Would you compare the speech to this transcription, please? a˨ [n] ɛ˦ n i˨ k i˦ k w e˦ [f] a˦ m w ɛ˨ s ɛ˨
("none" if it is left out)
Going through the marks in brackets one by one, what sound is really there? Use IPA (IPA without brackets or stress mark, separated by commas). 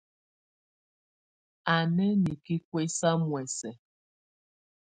n, s